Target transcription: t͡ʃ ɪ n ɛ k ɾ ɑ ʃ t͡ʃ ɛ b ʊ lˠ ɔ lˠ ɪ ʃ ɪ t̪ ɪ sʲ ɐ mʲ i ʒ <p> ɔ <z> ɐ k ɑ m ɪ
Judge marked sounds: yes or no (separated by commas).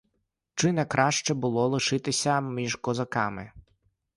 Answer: no, yes